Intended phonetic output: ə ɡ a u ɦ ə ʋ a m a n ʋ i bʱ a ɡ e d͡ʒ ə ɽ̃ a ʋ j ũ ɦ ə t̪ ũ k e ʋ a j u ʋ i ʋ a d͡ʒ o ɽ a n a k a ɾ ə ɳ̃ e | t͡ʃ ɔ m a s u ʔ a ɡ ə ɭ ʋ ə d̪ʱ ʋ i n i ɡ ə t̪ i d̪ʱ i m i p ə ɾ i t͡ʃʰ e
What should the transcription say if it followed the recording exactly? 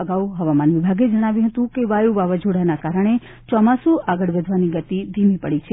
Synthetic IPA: ə ɡ a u ɦ ə ʋ a m a n ʋ i bʱ a ɡ e d͡ʒ ə ɽ̃ a ʋ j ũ ɦ ə t̪ ũ k e ʋ a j u ʋ a ʋ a d͡ʒ o ɽ a n a k a ɾ ə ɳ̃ e | t͡ʃ ɔ m a s u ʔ a ɡ ə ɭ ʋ ə d̪ʱ ʋ a n i ɡ ə t̪ i d̪ʱ i m i p ə ɽ i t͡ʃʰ e